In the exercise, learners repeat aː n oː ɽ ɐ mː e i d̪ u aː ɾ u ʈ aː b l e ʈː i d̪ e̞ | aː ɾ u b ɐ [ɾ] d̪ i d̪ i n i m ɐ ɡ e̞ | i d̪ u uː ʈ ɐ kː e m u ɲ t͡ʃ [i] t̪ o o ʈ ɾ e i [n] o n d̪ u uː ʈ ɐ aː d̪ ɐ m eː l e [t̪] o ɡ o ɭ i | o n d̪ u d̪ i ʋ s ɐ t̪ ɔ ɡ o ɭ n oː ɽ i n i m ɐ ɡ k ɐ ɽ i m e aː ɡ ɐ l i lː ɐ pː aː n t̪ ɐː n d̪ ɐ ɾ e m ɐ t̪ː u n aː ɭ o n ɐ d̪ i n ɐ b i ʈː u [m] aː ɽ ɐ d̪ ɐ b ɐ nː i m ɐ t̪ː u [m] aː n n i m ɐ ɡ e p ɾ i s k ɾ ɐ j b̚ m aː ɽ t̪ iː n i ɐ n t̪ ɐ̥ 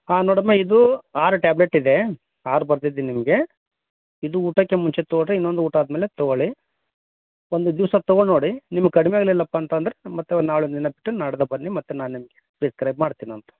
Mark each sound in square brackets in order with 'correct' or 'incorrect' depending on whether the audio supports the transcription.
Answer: correct, incorrect: e, incorrect: nː, correct, incorrect: n, incorrect: n

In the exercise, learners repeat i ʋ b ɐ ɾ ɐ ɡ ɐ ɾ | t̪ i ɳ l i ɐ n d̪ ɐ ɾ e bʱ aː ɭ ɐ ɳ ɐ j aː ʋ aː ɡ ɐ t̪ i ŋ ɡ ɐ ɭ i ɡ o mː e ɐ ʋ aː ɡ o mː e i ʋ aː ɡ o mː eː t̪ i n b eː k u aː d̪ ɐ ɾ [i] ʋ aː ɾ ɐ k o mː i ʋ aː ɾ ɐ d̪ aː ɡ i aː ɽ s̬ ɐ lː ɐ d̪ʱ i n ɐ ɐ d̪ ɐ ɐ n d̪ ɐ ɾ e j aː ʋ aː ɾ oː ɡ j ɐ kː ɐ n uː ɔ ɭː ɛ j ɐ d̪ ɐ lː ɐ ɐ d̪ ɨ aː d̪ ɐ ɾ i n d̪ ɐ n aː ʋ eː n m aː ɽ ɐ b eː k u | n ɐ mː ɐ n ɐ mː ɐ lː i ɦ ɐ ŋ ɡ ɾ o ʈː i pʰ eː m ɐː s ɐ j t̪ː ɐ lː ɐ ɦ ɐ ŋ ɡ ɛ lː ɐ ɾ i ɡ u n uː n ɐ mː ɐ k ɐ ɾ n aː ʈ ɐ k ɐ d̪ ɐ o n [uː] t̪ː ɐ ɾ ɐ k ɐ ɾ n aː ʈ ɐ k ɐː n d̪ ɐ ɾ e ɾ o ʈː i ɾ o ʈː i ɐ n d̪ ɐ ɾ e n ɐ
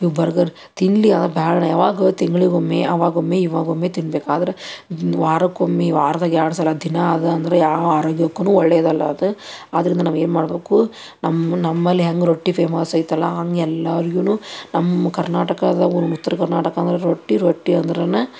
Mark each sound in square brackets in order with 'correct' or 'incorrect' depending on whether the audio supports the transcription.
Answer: incorrect: e, incorrect: u

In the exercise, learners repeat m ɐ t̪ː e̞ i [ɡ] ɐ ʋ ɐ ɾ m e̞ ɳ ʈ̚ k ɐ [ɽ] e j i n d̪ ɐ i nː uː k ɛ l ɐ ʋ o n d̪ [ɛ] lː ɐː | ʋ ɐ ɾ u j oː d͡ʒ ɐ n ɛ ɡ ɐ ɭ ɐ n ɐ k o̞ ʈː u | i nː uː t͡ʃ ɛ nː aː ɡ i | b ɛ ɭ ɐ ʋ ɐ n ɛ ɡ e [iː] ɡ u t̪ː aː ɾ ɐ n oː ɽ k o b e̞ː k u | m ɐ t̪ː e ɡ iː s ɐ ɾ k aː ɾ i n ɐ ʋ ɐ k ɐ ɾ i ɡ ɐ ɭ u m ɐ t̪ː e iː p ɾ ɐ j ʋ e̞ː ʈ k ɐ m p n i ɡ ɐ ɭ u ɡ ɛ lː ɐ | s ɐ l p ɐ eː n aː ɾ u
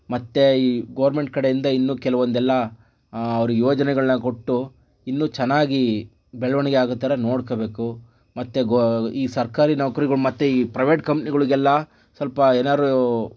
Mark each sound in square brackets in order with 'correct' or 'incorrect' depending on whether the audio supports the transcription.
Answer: correct, correct, correct, incorrect: aː

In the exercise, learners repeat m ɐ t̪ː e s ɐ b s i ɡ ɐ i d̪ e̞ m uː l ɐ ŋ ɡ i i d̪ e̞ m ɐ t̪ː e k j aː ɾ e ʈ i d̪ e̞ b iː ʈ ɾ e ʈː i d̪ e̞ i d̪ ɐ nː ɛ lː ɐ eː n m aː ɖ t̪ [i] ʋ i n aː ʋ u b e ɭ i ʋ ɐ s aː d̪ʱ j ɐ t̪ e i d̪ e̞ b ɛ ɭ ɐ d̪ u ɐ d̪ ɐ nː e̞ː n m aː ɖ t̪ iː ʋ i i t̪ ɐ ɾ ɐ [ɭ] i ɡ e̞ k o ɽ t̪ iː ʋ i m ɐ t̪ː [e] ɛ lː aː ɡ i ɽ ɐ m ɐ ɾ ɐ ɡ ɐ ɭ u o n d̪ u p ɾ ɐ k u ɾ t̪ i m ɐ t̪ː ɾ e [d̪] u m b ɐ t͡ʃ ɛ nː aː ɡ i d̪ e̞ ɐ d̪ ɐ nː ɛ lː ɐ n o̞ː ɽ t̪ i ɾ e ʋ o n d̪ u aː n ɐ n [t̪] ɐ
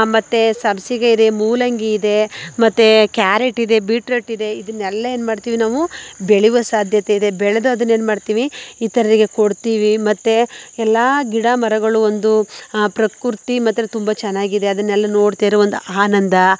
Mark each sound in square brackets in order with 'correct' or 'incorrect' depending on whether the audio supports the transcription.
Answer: incorrect: iː, incorrect: ɾ, correct, incorrect: t̪, incorrect: d̪

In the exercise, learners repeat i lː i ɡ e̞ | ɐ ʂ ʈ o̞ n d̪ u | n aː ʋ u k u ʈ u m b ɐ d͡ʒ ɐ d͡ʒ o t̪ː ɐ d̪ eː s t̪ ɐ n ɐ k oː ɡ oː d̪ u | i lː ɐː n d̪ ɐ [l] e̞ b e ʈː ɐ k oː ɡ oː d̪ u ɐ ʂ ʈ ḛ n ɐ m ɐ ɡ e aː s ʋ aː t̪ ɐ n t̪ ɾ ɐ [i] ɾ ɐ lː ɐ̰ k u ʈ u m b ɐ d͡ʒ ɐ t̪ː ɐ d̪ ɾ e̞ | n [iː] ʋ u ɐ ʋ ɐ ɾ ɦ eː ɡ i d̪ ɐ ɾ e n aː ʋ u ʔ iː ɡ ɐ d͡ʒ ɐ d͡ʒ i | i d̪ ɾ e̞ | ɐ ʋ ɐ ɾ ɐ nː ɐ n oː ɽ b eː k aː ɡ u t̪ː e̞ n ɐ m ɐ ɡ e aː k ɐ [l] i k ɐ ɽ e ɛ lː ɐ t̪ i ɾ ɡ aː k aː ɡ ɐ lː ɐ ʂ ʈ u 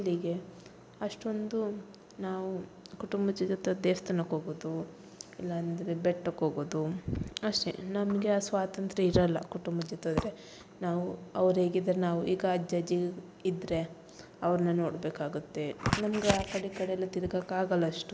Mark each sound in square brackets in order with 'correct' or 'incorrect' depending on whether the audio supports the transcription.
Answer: incorrect: ɾ, correct, incorrect: aː, incorrect: ɽ

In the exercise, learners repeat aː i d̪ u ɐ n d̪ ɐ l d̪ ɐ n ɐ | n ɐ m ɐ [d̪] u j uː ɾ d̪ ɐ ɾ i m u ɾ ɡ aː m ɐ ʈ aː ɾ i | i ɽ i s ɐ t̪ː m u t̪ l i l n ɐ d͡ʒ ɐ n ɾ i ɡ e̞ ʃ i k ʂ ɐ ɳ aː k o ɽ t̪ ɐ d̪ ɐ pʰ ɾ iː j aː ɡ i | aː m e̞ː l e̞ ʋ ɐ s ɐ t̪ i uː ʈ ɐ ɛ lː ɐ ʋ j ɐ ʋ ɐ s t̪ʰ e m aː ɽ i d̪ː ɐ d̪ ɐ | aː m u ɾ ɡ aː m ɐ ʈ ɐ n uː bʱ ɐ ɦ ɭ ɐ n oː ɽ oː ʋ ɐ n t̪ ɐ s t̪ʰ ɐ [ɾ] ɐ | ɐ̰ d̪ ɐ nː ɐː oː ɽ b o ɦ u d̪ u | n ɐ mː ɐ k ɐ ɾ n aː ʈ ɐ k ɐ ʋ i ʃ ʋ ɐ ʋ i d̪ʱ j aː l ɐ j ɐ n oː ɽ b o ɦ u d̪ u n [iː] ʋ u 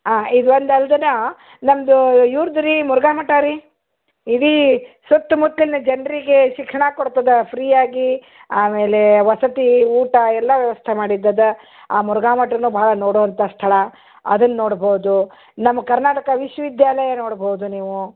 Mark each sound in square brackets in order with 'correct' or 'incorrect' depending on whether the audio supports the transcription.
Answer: correct, incorrect: ɭ, correct

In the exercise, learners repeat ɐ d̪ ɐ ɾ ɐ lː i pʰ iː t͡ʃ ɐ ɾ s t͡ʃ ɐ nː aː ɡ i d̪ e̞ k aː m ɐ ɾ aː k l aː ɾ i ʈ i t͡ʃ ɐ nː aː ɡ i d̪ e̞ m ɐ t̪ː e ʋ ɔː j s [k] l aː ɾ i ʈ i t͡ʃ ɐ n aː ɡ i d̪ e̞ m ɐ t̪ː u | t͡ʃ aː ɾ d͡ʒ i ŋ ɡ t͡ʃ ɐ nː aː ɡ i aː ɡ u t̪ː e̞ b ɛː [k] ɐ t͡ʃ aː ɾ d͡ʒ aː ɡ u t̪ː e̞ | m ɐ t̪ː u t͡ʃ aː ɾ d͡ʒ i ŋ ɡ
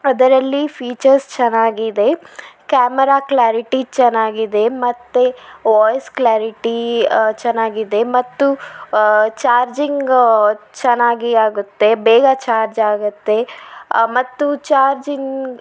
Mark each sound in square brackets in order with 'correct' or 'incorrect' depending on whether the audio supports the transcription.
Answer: correct, incorrect: ɡ

